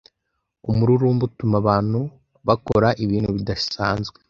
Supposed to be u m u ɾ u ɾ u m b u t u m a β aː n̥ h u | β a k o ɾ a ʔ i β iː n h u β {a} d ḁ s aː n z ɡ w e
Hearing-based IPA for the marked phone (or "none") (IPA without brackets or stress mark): i